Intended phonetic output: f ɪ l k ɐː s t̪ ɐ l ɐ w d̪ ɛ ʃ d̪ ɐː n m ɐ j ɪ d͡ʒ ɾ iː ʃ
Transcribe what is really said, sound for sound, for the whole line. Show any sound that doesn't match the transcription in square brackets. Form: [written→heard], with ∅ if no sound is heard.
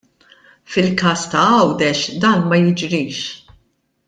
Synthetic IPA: f ɪ l k ɐː s t̪ ɐ [l→∅] ɐ w d̪ ɛ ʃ d̪ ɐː n m ɐ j ɪ d͡ʒ ɾ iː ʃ